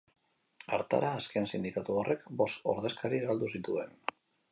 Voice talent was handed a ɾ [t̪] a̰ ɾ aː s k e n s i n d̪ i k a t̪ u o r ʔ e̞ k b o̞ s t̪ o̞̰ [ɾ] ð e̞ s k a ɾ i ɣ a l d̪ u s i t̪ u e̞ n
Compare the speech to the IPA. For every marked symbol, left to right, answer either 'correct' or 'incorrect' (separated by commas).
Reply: correct, correct